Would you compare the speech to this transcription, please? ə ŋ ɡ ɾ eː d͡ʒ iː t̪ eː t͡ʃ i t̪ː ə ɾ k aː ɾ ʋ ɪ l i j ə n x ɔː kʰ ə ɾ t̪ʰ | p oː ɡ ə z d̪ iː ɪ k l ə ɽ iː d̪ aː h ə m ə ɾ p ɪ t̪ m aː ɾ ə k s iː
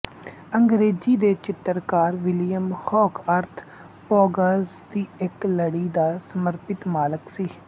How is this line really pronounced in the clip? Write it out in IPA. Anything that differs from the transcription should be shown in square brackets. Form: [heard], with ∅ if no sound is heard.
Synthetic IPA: ə ŋ ɡ ɾ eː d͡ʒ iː [d̪] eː t͡ʃ [ɪ] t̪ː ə ɾ k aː ɾ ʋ ɪ l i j ə [m] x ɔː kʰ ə ɾ t̪ʰ | p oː ɡ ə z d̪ iː ɪ k l ə ɽ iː d̪ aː [s] ə m ə ɾ p ɪ t̪ m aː [l] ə k s iː

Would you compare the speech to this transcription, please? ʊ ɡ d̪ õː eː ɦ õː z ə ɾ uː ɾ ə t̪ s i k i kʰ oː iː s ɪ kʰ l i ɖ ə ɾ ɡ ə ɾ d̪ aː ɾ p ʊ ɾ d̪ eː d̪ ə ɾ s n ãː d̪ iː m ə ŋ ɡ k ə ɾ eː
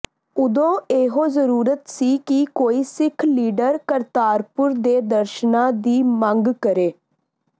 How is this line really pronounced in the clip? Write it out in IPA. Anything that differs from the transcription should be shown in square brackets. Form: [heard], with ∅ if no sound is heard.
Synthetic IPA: ʊ [∅] d̪ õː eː ɦ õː z ə ɾ uː ɾ ə t̪ s [iː] k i [k] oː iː s ɪ kʰ l [iː] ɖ ə ɾ [k] ə ɾ [t̪] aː ɾ p ʊ ɾ d̪ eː d̪ ə ɾ [ʃ] n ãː d̪ iː m ə ŋ ɡ k ə ɾ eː

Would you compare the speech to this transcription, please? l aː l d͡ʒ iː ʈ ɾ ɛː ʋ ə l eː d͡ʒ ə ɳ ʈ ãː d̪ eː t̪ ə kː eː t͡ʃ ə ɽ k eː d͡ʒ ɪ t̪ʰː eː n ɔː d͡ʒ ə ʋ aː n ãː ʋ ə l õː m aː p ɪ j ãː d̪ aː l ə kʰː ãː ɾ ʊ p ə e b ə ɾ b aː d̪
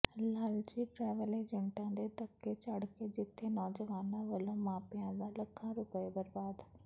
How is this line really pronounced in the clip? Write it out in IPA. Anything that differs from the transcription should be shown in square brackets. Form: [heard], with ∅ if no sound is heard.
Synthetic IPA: l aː l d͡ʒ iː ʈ ɾ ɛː ʋ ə l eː d͡ʒ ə ɳ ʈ ãː d̪ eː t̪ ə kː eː t͡ʃ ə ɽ k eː d͡ʒ ɪ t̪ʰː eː n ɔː d͡ʒ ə ʋ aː n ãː ʋ ə l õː m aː p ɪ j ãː d̪ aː l ə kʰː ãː ɾ ʊ p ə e b ə ɾ b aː d̪

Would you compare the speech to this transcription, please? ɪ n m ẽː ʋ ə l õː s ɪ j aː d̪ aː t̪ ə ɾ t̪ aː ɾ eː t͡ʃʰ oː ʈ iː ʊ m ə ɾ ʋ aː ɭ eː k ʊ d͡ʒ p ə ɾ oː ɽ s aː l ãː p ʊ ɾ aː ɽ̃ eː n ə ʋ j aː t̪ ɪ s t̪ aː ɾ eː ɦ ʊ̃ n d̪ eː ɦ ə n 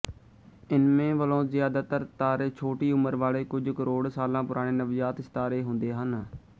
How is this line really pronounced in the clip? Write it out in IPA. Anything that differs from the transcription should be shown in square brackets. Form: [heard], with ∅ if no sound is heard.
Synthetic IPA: ɪ n m ẽː ʋ ə l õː [z] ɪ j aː d̪ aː t̪ ə ɾ t̪ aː ɾ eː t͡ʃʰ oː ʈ iː ʊ m ə ɾ ʋ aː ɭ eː k ʊ d͡ʒ [k] ə ɾ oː ɽ s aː l ãː p ʊ ɾ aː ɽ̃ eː n ə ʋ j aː t̪ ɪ s t̪ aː ɾ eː ɦ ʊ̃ n d̪ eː ɦ ə n

